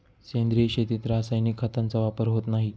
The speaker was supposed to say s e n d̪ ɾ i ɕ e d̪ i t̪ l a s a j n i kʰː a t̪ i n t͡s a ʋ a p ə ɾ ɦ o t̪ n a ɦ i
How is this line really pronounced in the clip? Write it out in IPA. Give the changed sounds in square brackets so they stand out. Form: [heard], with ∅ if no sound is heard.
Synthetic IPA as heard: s e n d̪ ɾ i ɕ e [t̪] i t̪ [ɾ] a s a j n i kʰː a t̪ [a] n t͡s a ʋ a p ə ɾ ɦ o t̪ n a ɦ i